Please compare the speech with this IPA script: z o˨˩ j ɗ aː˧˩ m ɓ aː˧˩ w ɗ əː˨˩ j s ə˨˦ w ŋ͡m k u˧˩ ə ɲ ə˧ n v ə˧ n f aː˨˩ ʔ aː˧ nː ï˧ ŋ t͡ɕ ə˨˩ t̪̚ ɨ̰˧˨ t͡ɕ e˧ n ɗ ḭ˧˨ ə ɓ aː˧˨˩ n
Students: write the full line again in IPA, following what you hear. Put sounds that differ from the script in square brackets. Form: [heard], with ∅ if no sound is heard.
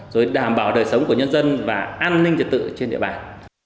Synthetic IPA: z o˨˩ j ɗ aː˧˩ m ɓ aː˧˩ w ɗ əː˨˩ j s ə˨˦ w ŋ͡m k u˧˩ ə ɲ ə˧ n [z] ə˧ n [v] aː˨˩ ʔ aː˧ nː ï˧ ŋ t͡ɕ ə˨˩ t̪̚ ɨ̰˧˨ t͡ɕ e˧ n ɗ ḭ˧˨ ə ɓ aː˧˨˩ n